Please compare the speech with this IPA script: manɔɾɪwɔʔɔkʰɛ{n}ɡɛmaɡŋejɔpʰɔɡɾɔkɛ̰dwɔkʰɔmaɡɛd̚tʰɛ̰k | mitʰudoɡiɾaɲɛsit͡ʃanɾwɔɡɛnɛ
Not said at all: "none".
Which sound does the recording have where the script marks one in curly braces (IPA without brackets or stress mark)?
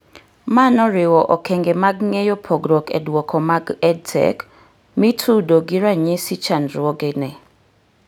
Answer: ŋ